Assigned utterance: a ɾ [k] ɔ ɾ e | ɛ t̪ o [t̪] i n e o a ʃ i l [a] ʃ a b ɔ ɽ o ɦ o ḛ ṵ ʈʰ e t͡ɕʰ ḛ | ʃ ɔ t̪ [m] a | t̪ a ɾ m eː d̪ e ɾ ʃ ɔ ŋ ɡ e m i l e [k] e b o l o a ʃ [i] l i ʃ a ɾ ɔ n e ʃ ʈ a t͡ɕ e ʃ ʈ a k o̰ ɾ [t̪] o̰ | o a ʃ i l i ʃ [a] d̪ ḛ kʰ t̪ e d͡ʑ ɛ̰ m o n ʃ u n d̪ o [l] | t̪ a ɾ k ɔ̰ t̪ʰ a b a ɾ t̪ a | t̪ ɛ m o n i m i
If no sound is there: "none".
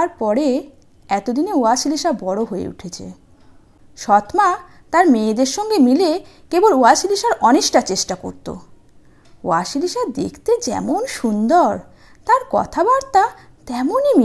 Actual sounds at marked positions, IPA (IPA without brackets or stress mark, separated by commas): p, d̪, i, m, k, i, t̪, a, ɾ